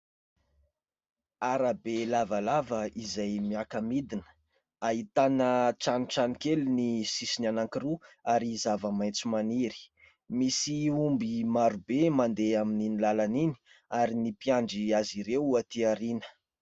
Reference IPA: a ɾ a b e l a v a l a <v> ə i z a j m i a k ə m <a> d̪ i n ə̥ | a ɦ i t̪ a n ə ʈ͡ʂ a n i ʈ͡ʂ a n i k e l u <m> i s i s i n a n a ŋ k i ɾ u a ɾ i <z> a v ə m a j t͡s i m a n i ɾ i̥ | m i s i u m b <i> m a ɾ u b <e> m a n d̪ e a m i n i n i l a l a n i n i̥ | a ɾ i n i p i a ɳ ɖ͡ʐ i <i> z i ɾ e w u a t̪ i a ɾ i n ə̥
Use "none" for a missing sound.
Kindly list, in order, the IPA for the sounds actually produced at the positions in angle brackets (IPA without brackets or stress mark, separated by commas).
v, i, n, z, i, e, a